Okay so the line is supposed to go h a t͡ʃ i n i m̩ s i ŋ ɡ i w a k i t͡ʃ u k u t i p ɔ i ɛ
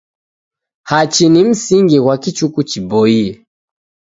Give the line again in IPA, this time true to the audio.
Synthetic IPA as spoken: h a t͡ʃ i n i m̩ s i ŋ ɡ i w a k i t͡ʃ u k u t͡ʃ i b ɔ i ɛ